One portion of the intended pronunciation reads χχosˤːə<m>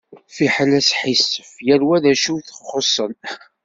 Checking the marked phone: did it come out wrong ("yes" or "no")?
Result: yes